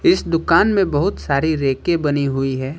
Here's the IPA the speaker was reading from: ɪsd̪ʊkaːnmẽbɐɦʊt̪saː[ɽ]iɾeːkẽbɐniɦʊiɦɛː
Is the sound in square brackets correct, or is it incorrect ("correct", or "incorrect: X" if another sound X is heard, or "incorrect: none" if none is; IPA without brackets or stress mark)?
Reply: incorrect: ɾ